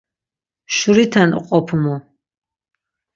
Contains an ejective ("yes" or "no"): yes